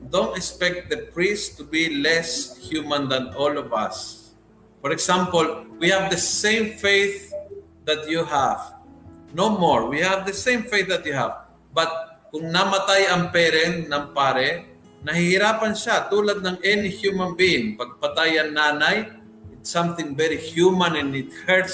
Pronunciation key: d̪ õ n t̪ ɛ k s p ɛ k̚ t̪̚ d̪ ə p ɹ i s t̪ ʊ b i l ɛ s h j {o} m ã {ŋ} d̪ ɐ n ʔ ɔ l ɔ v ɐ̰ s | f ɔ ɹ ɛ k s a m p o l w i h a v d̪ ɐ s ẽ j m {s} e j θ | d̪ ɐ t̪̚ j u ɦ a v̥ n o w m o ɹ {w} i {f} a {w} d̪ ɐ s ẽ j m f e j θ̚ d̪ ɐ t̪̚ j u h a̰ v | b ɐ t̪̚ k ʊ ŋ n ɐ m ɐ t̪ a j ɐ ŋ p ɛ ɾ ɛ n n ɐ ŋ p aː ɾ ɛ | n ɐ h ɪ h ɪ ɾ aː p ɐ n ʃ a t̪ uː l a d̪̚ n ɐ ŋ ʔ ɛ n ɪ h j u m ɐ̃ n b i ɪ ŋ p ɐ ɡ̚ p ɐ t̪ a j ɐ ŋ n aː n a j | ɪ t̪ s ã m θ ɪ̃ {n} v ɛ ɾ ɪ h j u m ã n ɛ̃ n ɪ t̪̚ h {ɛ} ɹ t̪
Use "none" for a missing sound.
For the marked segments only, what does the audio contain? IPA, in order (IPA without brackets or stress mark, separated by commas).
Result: u, n, f, w, h, v, ŋ, ɛ